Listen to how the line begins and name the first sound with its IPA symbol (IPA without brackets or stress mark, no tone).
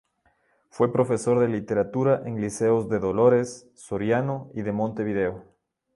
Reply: f